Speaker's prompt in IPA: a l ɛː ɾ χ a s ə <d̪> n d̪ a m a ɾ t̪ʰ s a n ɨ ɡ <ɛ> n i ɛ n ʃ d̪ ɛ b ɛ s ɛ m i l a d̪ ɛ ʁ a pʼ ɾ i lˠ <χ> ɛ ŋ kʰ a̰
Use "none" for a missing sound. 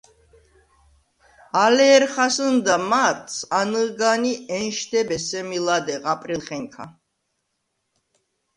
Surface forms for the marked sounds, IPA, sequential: none, a, χ

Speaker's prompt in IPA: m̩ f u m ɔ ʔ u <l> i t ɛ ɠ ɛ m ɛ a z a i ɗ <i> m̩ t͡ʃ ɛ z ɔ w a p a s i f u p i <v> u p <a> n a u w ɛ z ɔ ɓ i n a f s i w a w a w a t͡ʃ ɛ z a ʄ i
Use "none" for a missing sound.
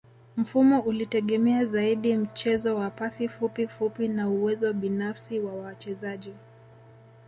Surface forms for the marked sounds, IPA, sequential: l, i, f, i

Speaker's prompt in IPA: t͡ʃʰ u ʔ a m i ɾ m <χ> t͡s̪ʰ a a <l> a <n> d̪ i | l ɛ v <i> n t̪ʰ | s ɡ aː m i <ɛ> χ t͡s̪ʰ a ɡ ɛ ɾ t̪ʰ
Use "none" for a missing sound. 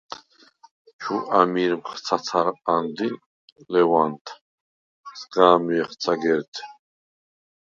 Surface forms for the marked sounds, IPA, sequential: χ, ɾ, n, a, ɛ

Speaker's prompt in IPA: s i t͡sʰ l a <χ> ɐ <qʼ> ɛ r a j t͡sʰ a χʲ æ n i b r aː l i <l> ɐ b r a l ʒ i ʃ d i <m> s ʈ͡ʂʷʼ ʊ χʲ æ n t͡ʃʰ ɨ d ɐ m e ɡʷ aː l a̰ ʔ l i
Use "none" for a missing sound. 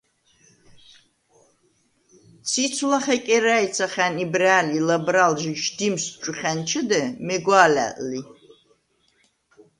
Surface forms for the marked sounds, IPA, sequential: χ, kʼ, l, m

